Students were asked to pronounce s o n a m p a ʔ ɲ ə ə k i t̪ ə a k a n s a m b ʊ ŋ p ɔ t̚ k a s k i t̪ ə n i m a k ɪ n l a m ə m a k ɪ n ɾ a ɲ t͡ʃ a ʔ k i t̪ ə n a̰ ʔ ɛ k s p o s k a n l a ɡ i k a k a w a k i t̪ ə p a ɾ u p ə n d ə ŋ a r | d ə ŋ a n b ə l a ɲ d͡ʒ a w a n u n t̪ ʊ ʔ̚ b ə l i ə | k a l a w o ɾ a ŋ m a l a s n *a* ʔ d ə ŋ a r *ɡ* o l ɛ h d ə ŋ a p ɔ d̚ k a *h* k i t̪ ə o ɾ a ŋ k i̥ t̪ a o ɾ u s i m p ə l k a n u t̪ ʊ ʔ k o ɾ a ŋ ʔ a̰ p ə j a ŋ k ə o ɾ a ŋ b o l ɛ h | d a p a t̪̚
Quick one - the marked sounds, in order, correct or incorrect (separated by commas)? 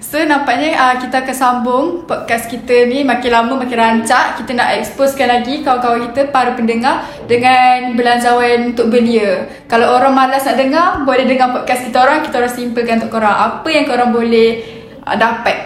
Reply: correct, incorrect, incorrect